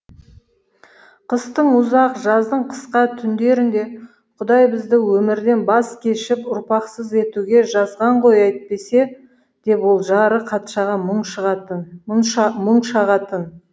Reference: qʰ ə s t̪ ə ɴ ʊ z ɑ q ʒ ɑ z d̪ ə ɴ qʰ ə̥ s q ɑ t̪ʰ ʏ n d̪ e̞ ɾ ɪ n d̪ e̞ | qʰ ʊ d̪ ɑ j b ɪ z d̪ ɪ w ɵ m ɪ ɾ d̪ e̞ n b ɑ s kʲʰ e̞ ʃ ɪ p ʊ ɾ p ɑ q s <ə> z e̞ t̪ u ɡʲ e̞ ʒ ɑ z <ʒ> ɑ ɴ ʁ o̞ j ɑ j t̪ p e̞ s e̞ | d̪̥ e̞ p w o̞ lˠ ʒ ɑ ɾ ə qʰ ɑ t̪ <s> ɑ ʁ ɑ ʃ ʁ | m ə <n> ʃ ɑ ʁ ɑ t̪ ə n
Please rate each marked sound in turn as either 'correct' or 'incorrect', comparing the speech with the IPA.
correct, incorrect: ʁ, incorrect: ʃ, incorrect: ɴ

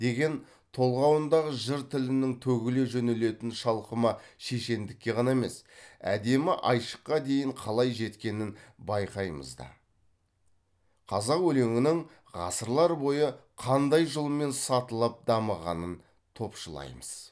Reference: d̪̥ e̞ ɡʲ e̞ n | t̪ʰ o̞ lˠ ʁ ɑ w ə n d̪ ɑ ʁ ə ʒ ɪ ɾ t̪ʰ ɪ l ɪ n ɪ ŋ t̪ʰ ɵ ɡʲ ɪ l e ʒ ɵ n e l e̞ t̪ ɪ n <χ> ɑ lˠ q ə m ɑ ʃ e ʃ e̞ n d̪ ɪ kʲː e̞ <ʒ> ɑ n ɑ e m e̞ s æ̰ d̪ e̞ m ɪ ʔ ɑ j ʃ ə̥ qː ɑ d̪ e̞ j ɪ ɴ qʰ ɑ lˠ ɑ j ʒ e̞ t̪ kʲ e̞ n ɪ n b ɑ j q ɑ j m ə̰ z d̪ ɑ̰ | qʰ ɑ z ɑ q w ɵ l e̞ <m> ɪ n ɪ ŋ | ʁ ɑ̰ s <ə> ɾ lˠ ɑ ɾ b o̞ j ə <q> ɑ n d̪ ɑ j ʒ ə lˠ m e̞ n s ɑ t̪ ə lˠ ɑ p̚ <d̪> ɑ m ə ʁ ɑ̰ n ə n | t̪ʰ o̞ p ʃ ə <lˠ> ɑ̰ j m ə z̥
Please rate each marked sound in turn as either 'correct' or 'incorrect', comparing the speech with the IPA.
incorrect: ʃ, incorrect: ʁ, incorrect: ŋ, correct, incorrect: qʰ, correct, correct

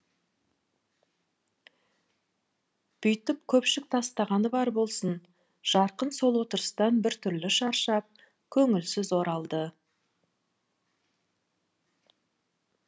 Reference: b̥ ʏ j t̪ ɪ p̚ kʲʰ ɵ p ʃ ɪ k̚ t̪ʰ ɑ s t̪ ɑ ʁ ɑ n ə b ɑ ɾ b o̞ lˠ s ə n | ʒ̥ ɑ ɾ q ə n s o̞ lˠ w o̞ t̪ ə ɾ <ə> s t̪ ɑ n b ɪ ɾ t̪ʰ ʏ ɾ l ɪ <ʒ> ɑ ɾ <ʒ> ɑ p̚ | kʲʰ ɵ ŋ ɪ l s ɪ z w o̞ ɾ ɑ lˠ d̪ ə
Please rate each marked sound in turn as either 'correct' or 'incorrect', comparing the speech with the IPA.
correct, incorrect: ʃ, incorrect: ʃ

